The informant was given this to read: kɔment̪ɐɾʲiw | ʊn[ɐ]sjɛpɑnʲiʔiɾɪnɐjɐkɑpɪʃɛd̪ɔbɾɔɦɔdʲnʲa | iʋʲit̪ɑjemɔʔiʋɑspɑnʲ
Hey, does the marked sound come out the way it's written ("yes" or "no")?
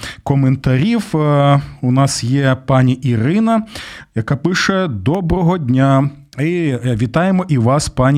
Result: no